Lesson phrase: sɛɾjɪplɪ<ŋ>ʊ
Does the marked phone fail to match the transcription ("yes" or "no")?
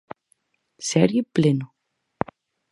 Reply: yes